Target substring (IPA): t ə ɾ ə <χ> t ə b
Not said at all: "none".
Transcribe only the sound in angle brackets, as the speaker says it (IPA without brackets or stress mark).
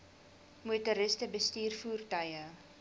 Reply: s